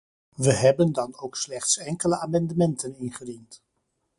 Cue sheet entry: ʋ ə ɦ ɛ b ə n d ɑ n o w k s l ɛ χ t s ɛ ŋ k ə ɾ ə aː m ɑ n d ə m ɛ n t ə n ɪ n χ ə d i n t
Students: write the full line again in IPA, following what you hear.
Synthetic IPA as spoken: ʋ ə ɦ ɛ b ə n d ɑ n o w k s l ɛ χ t s ɛ ŋ k ə l ə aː m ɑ n d ə m ɛ n t ə n ɪ n χ ə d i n t